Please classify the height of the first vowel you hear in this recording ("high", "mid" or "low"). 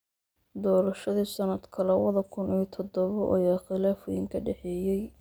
mid